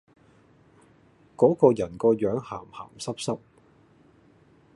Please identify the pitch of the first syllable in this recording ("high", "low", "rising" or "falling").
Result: rising